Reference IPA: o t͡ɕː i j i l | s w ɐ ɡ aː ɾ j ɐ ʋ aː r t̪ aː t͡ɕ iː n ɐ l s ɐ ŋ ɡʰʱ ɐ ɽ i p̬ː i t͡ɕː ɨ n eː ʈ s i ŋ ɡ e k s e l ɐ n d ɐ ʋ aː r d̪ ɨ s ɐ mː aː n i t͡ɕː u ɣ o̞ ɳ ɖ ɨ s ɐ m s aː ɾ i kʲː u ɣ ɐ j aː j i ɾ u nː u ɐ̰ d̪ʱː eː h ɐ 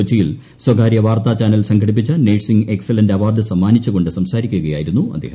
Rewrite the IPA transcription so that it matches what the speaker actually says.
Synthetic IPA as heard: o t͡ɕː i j i l | s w ɐ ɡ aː ɾ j ɐ ʋ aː r t̪ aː t͡ɕ aː n ɐ l s ɐ ŋ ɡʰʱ ɐ ɽ i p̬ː i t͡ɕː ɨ n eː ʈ s i ŋ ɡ e k s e l ɐ n d ɐ ʋ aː r d̪ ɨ s ɐ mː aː n i t͡ɕː u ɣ o̞ ɳ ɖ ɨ s ɐ m s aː ɾ i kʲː u ɣ ɐ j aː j i ɾ u nː u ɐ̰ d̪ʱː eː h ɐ